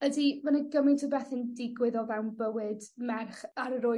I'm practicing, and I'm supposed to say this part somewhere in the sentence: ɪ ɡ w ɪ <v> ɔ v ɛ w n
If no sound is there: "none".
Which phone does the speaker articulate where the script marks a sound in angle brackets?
ð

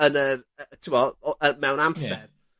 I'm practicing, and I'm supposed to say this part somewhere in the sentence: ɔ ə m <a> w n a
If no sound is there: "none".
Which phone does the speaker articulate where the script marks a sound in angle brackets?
ɛ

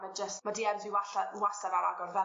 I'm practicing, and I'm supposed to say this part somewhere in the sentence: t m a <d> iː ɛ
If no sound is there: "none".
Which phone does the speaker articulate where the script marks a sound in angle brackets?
d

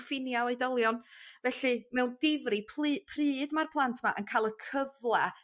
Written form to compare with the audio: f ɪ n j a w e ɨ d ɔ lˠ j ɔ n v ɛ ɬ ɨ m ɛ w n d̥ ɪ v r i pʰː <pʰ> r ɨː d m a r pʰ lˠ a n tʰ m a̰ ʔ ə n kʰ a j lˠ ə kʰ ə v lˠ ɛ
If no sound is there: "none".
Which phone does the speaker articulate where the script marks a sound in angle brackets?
pʰ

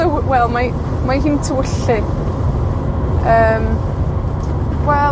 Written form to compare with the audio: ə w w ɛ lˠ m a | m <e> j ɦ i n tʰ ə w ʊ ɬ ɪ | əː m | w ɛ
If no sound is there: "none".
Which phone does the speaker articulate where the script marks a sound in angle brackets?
a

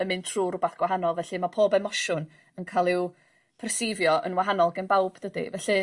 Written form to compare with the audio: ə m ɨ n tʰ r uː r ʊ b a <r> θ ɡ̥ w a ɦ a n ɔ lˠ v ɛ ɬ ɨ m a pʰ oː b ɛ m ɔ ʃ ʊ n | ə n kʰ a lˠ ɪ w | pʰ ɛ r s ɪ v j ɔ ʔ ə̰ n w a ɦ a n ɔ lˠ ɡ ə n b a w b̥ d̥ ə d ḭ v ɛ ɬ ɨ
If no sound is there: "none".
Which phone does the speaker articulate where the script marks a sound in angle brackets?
none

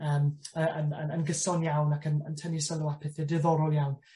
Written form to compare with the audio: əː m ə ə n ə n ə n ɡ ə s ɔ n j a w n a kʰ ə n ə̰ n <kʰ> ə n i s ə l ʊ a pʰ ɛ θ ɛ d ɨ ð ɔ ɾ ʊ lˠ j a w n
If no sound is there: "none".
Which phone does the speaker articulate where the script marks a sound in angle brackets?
tʰ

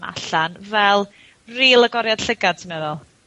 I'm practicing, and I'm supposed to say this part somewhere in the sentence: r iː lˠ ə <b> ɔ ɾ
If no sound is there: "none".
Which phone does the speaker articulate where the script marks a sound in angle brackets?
ɡ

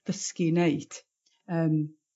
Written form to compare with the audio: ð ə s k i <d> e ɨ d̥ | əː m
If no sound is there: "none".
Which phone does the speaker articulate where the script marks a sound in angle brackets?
n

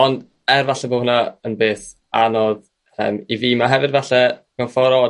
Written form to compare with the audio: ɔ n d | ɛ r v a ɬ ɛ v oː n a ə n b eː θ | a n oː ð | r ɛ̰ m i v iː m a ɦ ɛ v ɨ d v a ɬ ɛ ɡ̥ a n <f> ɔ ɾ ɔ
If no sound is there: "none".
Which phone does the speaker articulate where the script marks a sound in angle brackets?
f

